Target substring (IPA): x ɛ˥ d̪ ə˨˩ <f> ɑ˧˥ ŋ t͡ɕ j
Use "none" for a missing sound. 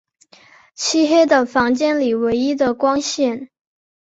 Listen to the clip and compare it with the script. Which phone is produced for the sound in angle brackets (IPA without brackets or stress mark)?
f